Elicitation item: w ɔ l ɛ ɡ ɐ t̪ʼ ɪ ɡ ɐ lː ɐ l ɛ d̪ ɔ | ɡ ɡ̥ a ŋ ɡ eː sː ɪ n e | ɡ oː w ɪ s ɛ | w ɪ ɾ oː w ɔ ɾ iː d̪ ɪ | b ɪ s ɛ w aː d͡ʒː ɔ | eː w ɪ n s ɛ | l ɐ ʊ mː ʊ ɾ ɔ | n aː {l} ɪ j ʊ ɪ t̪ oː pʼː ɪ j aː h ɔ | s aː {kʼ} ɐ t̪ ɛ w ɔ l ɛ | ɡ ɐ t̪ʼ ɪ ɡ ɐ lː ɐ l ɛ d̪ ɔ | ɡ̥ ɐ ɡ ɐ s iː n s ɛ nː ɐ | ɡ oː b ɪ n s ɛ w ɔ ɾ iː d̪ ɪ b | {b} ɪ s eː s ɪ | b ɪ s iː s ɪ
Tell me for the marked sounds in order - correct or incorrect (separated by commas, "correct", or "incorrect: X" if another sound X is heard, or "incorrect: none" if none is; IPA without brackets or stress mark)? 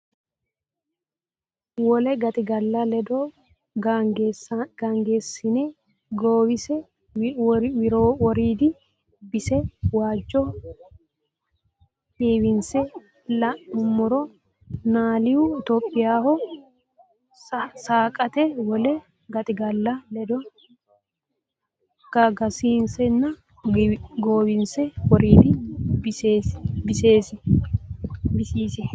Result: correct, correct, correct